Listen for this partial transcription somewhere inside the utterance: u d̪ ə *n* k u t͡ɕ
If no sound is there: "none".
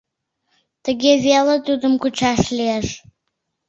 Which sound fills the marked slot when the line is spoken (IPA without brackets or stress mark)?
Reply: m